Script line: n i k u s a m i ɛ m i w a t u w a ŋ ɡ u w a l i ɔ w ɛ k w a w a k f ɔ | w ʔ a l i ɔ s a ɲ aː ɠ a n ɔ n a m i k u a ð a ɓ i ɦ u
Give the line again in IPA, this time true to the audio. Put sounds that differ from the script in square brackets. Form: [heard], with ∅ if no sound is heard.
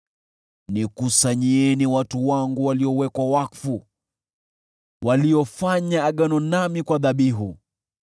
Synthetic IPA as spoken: n i k u s a [ɲ] i ɛ [n] i w a t u w a ŋ ɡ u w a l i ɔ w ɛ k w a w a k f [u] | w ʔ a l i ɔ [f] a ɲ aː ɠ a n ɔ n a m i k [w] a ð a ɓ i ɦ u